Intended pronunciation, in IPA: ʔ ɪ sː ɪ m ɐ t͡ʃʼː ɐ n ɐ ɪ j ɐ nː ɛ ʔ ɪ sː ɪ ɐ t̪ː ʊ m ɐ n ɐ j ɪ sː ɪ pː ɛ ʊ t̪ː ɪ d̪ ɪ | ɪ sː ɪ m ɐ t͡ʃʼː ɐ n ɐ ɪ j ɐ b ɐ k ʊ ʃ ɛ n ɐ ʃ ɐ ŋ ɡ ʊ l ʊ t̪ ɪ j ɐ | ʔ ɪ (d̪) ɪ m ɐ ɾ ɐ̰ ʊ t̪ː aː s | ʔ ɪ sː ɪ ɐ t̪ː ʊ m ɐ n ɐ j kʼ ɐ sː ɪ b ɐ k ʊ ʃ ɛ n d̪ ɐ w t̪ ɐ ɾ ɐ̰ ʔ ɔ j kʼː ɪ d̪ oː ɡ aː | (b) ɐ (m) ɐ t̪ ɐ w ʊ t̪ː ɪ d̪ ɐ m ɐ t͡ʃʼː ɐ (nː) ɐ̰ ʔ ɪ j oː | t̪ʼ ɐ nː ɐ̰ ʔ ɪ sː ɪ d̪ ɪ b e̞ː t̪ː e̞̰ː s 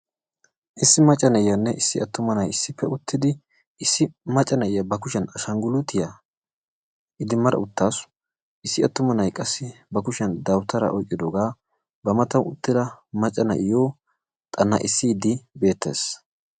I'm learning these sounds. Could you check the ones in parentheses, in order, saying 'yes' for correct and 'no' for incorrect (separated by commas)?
yes, yes, yes, no